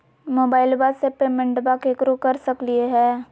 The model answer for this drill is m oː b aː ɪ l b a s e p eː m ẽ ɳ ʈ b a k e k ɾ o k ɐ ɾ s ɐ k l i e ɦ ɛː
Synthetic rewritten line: m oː b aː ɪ l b a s e p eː m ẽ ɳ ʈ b a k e k ɾ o k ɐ ɾ s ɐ k l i e ɦ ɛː